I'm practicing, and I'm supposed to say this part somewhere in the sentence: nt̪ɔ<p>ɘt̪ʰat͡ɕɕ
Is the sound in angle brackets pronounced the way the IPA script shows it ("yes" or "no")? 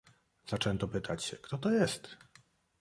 yes